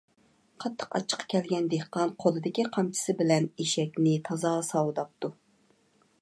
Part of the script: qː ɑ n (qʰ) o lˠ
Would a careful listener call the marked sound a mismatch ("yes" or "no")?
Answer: no